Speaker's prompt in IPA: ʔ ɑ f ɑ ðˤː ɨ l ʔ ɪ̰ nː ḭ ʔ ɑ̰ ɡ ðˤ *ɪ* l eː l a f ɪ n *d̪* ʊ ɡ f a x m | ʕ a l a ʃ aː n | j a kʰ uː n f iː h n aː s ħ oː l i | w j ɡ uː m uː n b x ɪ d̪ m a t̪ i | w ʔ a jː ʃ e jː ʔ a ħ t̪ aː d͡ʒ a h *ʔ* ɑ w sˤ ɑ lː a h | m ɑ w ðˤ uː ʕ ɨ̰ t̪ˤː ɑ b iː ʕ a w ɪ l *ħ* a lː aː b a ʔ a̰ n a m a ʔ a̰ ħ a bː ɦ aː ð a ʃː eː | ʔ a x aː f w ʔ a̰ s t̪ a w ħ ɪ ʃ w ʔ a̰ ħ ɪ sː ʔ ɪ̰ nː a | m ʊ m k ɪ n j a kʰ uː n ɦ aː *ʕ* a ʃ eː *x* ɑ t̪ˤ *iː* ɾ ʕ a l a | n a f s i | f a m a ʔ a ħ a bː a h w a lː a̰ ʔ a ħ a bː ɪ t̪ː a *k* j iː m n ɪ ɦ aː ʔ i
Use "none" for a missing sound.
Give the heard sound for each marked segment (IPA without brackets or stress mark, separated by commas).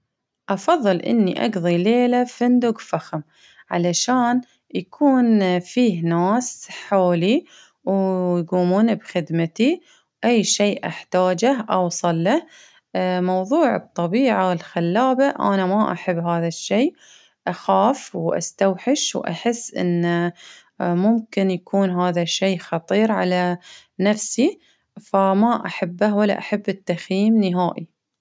i, d̪, ʔ, x, ð, x, iː, x